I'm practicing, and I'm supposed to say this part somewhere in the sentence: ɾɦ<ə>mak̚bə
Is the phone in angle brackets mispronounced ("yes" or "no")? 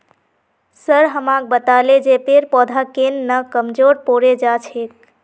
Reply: no